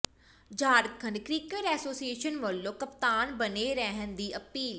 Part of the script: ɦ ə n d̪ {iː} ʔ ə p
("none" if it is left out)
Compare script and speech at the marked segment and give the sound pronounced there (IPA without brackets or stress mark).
iː